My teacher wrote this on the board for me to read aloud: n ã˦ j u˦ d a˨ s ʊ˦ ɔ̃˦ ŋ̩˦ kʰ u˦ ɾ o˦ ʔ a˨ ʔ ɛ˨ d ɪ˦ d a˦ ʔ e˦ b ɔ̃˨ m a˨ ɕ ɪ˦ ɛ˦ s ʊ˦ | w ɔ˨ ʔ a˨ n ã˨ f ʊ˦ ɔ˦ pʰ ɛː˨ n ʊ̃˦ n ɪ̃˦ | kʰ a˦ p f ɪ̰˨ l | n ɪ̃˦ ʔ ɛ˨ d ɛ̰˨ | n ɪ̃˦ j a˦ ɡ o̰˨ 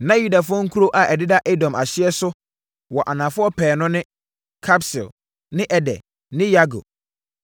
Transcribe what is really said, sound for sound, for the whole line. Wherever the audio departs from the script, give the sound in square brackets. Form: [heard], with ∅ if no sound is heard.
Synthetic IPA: n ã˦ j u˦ d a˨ [f] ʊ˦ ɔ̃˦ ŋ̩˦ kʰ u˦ ɾ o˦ ʔ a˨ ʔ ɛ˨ d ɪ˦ d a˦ ʔ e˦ [d] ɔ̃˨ m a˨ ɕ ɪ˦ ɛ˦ s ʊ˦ | w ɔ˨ ʔ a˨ n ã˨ f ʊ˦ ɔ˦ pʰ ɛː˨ n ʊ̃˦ n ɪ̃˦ | kʰ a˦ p [s] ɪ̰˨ l | n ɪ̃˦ ʔ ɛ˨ d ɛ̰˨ | n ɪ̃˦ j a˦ ɡ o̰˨